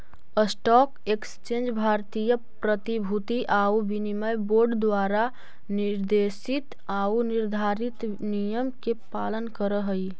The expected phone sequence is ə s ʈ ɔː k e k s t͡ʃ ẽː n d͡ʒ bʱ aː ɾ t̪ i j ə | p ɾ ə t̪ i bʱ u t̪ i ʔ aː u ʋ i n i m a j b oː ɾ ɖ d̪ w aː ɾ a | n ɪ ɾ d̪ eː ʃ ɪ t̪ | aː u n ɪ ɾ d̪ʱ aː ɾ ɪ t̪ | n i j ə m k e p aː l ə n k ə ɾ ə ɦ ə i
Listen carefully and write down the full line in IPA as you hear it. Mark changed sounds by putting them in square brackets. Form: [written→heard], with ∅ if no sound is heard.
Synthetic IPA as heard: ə s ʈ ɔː k e k s t͡ʃ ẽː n d͡ʒ bʱ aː ɾ t̪ i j ə | p ɾ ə t̪ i bʱ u t̪ i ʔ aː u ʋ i n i m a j b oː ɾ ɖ d̪ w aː ɾ a | n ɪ ɾ d̪ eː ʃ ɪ t̪ | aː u n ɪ ɾ d̪ʱ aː ɾ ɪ t̪ | n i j ə m k e p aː l ə n k ə ɾ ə ɦ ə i

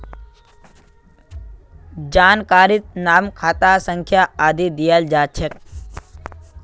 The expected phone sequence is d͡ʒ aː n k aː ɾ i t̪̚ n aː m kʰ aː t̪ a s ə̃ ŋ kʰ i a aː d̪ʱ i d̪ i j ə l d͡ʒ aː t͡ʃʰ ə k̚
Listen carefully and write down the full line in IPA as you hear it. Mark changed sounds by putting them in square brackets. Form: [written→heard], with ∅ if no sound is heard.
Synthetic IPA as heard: d͡ʒ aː n k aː ɾ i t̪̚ n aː m kʰ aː t̪ a s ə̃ ŋ kʰ [i→j] a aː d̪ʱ i d̪ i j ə l d͡ʒ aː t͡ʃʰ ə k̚

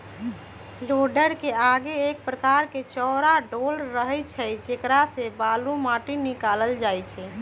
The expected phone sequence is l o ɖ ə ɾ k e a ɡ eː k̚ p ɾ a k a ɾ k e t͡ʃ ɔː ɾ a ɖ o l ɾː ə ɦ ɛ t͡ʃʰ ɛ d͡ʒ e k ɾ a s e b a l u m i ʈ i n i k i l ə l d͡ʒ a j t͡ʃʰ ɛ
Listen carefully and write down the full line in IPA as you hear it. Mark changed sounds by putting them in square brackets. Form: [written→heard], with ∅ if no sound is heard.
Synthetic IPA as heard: l o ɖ ə ɾ k e a ɡ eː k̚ p ɾ [a→ə] k a ɾ k e t͡ʃ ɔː ɾ a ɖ o l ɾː ə ɦ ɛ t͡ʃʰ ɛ d͡ʒ e k ɾ a s e b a l u m [i→a] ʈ i n i k [i→a] l ə l d͡ʒ a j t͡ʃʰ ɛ

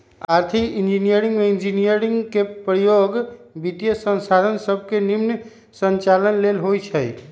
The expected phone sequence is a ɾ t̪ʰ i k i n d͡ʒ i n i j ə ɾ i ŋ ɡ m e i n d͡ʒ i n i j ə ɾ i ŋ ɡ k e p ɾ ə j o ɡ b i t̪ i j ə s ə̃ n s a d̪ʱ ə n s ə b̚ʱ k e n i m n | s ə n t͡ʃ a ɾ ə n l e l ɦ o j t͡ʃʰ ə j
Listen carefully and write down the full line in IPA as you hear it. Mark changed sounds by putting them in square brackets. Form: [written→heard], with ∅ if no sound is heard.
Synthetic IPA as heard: a ɾ t̪ʰ i k i n d͡ʒ i n i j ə ɾ i ŋ ɡ m e i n d͡ʒ i n i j ə ɾ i ŋ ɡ k e p ɾ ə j o ɡ b i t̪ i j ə s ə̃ n s a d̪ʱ ə n s ə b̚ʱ k e n i m n | s ə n t͡ʃ a [ɾ→l] ə n l e l ɦ o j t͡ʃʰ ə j

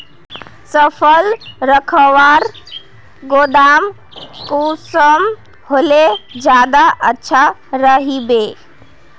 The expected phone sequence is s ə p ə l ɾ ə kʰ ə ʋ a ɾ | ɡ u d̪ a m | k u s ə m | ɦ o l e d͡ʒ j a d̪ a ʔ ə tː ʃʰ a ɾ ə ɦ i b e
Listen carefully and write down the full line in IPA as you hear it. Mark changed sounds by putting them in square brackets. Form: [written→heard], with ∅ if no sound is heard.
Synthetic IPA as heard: s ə [p→pʰ] ə l ɾ ə kʰ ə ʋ a ɾ | ɡ [u→o] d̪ a m | k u s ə m | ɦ o l e d͡ʒ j a d̪ a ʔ ə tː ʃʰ a ɾ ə ɦ i b e

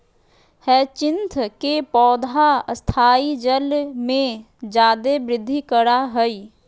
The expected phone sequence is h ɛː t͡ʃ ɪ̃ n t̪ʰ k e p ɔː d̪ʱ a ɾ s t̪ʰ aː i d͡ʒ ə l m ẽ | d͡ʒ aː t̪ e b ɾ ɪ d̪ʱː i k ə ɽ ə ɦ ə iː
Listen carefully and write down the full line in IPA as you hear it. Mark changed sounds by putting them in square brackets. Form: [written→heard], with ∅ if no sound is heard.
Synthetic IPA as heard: h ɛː t͡ʃ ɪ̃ n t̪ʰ k e p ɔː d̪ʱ a [ɾ→∅] s t̪ʰ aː i d͡ʒ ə l m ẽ | d͡ʒ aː [t̪→d̪] e b ɾ ɪ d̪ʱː i k ə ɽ [ə→a] ɦ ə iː

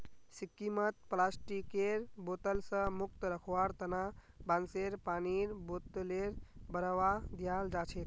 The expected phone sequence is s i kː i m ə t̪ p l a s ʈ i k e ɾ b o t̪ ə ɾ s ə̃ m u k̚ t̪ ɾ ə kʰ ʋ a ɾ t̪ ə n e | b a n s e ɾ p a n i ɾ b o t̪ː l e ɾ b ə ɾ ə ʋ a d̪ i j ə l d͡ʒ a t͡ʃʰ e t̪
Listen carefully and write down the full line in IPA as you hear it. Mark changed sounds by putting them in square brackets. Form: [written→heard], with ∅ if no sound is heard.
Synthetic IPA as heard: s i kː i m ə t̪ p l a s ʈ i k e ɾ b o t̪ ə [ɾ→l] s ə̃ m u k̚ t̪ ɾ ə kʰ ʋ a ɾ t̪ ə n [e→a] | b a n s e ɾ p a n i ɾ b o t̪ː l e ɾ b ə ɾ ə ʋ a d̪ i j [ə→a] l d͡ʒ a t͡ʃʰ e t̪

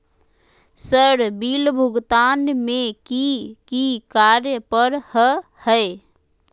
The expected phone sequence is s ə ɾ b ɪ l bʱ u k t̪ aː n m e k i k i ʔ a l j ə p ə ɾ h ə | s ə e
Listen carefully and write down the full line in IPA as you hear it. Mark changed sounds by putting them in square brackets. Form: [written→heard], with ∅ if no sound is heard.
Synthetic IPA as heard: s ə ɾ b [ɪ→i] l bʱ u [k→ɡ] t̪ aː n m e k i k i [ʔ→k] a [l→ɾ] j ə p ə ɾ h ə | [s→h] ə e

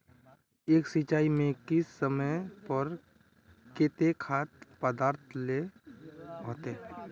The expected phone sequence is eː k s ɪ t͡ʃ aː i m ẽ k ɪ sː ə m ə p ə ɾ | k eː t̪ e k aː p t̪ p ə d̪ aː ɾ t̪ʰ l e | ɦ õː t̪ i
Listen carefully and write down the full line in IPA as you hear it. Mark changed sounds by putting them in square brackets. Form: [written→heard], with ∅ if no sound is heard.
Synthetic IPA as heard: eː k s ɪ t͡ʃ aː i m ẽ k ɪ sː ə m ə p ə ɾ | k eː t̪ e [k→kʰ] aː [p→∅] t̪ p ə d̪ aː ɾ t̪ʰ l e | ɦ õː t̪ [i→e]

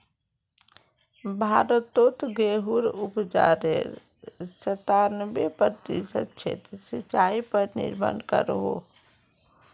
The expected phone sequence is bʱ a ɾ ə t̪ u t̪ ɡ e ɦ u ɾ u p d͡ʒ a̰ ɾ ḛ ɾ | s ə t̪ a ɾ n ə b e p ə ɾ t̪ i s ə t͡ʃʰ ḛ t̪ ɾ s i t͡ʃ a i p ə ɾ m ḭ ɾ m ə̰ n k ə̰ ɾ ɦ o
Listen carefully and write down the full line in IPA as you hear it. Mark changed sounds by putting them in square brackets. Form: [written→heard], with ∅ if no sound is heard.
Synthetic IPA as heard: bʱ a ɾ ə t̪ [u→o] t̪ ɡ e ɦ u ɾ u p d͡ʒ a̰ ɾ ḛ ɾ | s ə t̪ a ɾ n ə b e p ə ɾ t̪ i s ə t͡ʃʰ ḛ t̪ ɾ s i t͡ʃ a i p ə ɾ [m→n] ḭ ɾ m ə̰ n k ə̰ ɾ ɦ o

